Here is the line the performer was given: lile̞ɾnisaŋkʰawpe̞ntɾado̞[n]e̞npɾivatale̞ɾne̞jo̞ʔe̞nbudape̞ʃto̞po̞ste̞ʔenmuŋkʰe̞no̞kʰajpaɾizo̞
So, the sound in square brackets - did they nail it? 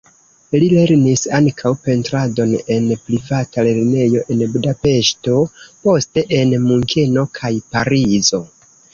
yes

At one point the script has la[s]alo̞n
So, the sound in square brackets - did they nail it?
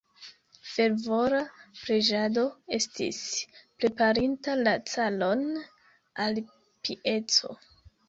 no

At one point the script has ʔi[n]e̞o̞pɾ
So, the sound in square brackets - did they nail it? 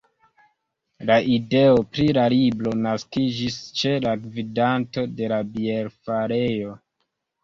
no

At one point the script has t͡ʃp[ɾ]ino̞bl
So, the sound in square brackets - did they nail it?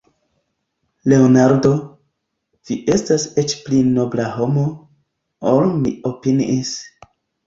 no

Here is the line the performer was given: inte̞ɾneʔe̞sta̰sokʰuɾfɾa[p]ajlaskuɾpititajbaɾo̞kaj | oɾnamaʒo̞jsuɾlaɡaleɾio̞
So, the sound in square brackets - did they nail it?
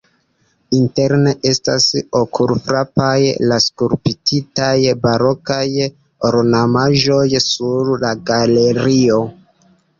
yes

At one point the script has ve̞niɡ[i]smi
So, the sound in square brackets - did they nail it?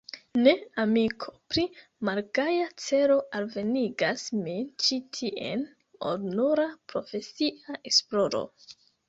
no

